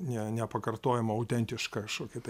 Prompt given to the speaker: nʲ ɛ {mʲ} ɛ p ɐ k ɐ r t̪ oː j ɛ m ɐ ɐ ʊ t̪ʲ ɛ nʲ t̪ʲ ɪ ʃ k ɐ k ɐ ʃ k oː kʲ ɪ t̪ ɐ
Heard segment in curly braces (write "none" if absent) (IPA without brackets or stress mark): nʲ